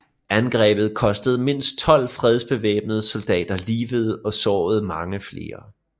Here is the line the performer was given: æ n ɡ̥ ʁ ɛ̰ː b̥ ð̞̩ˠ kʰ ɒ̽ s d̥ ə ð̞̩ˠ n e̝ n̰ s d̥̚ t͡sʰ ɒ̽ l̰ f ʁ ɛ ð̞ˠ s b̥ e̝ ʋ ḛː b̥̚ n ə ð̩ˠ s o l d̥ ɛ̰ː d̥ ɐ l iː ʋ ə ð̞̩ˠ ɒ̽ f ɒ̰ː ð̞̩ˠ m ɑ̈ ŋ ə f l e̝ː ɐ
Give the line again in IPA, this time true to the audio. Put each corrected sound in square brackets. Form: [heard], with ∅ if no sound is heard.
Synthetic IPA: æ n ɡ̥ ʁ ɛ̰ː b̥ ð̞̩ˠ kʰ ɒ̽ s d̥ ə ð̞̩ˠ [m] e̝ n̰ s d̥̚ t͡sʰ ɒ̽ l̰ f ʁ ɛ ð̞ˠ s b̥ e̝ ʋ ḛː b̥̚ n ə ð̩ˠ s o l d̥ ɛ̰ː d̥ ɐ l iː ʋ ə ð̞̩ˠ ɒ̽ [s] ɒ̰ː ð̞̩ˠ m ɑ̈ ŋ ə f l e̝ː ɐ

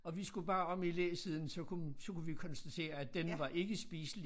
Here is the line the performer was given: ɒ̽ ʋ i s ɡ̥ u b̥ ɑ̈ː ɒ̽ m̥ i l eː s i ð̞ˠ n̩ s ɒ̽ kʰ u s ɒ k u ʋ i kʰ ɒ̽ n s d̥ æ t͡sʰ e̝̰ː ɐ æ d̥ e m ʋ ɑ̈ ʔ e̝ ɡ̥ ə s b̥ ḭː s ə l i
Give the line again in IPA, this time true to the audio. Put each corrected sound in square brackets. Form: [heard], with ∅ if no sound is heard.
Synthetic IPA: ɒ̽ ʋ i s ɡ̥ u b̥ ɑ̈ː ɒ̽ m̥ i l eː s i ð̞ˠ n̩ s ɒ̽ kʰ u s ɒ k u ʋ i kʰ ɒ̽ n s d̥ æ t͡sʰ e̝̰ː ɐ æ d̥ e [n] ʋ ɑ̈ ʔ e̝ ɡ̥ ə s b̥ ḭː s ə l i

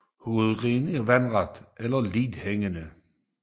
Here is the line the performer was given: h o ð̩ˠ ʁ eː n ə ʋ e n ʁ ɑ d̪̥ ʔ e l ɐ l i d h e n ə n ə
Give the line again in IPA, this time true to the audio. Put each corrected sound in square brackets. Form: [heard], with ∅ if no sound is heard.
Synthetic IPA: h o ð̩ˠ ʁ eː n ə ʋ [æ] n ʁ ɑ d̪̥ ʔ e l ɐ l i d h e [ŋ] ə n ə

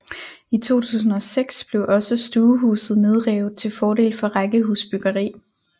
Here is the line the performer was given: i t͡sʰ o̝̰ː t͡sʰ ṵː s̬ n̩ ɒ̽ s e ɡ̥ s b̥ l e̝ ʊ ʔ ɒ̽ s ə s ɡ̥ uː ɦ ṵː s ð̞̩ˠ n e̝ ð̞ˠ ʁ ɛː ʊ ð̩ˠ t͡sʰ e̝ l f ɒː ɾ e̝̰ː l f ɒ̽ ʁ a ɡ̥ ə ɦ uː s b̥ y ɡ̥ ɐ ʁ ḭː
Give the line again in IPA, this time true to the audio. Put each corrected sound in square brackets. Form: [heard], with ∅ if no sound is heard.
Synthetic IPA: i t͡sʰ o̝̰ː t͡sʰ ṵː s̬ n̩ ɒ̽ s e ɡ̥ s b̥ l e̝ ʊ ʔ ɒ̽ s ə s [d̥] uː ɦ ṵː s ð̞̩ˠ n e̝ ð̞ˠ ʁ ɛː ʊ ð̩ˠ t͡sʰ e̝ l f ɒː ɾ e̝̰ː l f ɒ̽ ʁ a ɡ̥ ə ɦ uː s b̥ y ɡ̥ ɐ ʁ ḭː

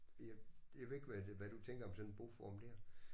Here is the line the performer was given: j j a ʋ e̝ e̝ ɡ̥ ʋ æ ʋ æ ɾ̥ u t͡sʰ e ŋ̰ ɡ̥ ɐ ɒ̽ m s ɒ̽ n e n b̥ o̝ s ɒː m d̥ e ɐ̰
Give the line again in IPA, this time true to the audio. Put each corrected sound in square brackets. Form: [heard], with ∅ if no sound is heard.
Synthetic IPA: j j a ʋ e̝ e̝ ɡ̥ ʋ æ ʋ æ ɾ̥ u t͡sʰ e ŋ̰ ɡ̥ ɐ ɒ̽ m s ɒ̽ n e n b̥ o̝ [f] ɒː m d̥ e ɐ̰

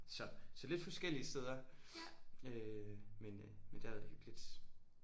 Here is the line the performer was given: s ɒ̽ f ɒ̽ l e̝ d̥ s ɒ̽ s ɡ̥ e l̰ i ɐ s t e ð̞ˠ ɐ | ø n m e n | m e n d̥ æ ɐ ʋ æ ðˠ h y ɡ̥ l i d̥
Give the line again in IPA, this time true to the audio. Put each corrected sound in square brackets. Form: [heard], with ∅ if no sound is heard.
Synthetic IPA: s ɒ̽ [s] ɒ̽ l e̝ d̥ [f] ɒ̽ s ɡ̥ e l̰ i [ə] s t e ð̞ˠ ɐ | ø [∅] m e n | m e n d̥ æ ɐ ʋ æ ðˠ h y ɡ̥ l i d̥

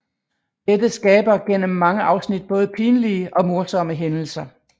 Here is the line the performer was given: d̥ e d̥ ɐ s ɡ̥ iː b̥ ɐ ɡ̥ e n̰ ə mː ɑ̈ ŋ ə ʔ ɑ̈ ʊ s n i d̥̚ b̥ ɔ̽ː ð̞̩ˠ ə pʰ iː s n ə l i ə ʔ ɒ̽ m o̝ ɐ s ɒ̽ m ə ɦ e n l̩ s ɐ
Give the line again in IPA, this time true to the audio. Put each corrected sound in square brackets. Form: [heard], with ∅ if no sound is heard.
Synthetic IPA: d̥ e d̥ [ə] s ɡ̥ [ɛː] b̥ ɐ ɡ̥ e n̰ ə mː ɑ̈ ŋ ə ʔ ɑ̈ ʊ s n i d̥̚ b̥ ɔ̽ː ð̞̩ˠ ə pʰ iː [∅] n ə l i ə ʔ ɒ̽ m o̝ ɐ s ɒ̽ m ə ɦ e n l̩ s ɐ

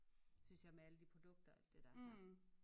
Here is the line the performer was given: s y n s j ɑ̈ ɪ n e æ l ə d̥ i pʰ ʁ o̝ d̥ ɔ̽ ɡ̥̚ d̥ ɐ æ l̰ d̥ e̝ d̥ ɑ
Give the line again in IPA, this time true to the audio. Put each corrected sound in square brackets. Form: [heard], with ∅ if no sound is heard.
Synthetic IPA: s y n s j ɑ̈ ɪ [m] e æ l ə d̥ i pʰ ʁ o̝ d̥ ɔ̽ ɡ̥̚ d̥ ɐ æ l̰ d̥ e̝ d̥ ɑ

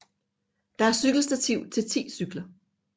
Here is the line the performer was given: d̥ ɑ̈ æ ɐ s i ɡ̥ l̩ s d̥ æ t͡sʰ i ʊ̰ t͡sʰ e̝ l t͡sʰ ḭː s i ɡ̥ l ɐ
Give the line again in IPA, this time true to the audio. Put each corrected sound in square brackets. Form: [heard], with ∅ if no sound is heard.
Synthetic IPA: d̥ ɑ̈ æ ɐ s [y] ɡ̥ l̩ s d̥ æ t͡sʰ i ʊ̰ t͡sʰ e̝ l t͡sʰ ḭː s [y] ɡ̥ l ɐ

